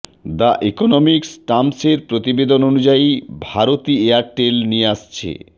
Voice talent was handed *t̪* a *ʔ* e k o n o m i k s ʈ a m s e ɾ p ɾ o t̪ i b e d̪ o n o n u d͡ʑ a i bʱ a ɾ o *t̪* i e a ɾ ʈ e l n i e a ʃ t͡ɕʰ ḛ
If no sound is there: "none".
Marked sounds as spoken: d̪, ʔ, t̪

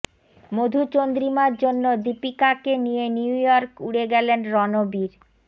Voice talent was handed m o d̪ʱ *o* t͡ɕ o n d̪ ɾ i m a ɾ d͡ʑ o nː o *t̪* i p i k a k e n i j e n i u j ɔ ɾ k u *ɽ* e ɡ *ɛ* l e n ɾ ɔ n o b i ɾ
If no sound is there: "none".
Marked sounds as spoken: u, d̪, ɽ, ɛ

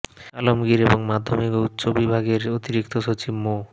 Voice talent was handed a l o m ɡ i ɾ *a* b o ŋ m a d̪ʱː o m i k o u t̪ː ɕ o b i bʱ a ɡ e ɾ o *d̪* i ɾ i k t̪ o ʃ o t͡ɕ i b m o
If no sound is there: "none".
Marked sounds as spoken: e, t̪

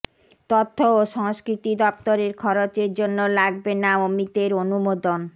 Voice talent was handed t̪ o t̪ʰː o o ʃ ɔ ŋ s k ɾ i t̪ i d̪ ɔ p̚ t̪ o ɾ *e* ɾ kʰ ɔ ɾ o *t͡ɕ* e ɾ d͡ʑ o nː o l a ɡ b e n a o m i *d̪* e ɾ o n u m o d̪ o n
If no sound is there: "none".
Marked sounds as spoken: e, t͡ɕ, t̪

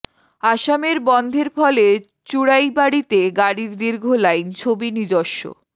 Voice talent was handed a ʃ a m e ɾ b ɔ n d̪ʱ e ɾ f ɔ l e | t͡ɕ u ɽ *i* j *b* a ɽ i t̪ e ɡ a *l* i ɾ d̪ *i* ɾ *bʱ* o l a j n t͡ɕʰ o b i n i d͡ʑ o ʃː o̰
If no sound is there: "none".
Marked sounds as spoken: a, b, ɽ, i, ɡʱ

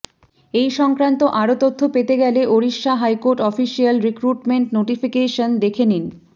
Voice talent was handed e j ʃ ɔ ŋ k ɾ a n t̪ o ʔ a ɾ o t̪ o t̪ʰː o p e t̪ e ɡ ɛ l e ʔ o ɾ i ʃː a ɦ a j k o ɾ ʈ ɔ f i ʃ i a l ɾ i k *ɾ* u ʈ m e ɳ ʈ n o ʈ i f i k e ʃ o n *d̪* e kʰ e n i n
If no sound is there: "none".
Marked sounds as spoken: ɾ, d̪

